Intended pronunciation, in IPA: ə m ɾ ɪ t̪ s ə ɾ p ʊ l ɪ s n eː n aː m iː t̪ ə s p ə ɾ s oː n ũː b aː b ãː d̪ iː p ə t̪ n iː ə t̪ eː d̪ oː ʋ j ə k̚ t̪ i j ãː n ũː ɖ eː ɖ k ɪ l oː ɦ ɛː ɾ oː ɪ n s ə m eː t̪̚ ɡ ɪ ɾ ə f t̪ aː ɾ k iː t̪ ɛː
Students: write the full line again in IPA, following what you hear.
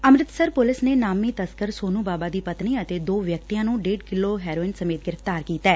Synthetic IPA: ə m ɾ ɪ t̪ s ə ɾ p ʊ l ɪ s n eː n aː m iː t̪ ə s k ə ɾ s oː n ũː b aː b aː d̪ iː p ə t̪ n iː ə t̪ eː d̪ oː ʋ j ə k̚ t̪ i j ãː n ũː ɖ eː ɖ k ɪ l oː ɦ ɛː ɾ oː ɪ n s ə m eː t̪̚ ɡ ɪ ɾ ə f t̪ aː ɾ k iː t̪ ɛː